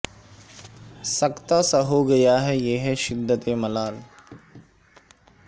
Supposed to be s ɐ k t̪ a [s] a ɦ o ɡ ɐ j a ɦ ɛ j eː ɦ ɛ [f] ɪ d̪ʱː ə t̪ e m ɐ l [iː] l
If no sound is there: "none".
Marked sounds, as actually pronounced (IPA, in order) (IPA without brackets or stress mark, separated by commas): s, ʃ, aː